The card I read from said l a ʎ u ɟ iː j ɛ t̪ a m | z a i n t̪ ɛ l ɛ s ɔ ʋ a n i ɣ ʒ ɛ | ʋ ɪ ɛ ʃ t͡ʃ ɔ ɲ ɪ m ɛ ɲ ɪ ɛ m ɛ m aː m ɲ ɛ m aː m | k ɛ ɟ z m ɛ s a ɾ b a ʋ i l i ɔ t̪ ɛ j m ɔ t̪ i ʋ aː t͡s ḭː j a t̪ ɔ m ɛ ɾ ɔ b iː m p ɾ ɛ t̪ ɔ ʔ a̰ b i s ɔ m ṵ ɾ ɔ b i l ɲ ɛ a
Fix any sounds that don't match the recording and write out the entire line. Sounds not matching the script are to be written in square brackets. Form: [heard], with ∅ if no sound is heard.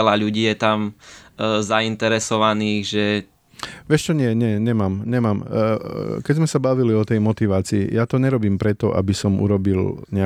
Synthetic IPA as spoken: l a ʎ u ɟ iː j ɛ t̪ a m | z a i n t̪ ɛ [ɾ] ɛ s ɔ ʋ a n [iː] ɣ ʒ ɛ | ʋ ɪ ɛ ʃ t͡ʃ ɔ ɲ ɪ [∅] ɛ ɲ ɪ ɛ [ɲ] ɛ m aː m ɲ ɛ m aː m | k ɛ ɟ z m ɛ s a [∅] b a ʋ i l i ɔ t̪ ɛ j m ɔ t̪ i ʋ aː t͡s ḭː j a t̪ ɔ [ɲ] ɛ ɾ ɔ b iː m p ɾ ɛ t̪ ɔ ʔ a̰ b i s ɔ m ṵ ɾ ɔ b i l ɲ ɛ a